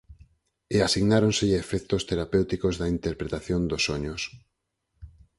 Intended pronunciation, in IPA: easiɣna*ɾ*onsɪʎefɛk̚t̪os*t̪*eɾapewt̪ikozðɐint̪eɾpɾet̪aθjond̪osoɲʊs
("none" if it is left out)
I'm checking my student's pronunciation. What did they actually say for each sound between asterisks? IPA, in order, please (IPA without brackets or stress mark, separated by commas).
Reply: ɾ, t̪